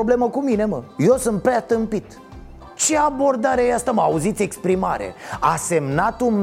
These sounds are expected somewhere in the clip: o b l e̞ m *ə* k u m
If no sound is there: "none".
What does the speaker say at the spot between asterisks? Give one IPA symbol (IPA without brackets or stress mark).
ə